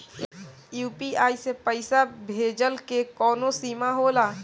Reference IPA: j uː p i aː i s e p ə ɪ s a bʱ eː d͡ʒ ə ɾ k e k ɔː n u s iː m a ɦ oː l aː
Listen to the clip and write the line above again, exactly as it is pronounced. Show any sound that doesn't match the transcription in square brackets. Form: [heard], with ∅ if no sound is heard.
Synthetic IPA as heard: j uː p i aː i s e p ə ɪ s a bʱ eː d͡ʒ ə [l] k e k ɔː n [o] s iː m a ɦ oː l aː